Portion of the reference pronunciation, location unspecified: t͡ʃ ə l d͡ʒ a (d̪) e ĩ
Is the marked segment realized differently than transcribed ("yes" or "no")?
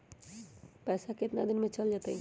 yes